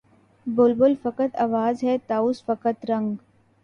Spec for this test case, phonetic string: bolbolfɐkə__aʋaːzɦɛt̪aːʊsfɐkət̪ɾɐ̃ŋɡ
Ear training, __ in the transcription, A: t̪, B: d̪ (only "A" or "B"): A